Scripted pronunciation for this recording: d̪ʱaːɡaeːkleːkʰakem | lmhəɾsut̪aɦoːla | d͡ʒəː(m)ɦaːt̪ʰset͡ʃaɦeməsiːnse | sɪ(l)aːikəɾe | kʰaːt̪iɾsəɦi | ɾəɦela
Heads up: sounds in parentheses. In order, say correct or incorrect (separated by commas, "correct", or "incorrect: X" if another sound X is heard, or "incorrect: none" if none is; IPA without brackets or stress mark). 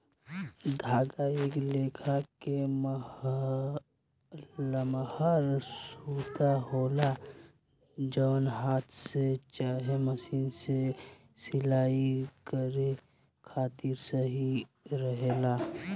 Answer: incorrect: n, correct